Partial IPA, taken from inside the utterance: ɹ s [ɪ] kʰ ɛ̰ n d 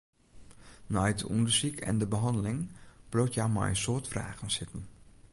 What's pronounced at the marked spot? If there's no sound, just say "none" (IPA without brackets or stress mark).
i